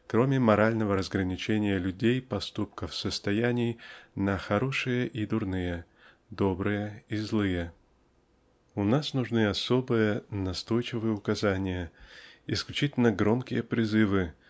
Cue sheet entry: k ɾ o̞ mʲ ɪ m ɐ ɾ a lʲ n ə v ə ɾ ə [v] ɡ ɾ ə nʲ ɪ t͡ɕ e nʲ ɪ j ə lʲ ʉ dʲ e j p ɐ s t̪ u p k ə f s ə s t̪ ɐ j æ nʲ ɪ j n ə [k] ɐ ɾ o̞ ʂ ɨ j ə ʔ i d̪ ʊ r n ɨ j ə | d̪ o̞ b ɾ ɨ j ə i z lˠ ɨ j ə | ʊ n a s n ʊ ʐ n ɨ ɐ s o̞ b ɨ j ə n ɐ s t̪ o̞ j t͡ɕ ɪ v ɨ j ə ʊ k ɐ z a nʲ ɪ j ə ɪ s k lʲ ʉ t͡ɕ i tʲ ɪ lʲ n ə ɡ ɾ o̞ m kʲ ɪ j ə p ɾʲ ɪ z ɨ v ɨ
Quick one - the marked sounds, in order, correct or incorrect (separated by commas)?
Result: incorrect, incorrect